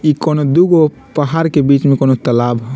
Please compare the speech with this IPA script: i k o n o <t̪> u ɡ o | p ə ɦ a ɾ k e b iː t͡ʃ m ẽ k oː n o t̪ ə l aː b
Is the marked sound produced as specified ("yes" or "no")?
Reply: no